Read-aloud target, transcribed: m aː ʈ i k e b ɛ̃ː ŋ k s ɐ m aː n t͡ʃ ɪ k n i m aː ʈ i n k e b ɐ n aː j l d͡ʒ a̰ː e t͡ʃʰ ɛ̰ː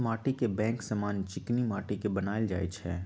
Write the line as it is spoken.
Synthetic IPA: m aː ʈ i k e b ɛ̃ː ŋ k s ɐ m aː n t͡ʃ ɪ k n i m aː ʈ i k e b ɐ n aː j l d͡ʒ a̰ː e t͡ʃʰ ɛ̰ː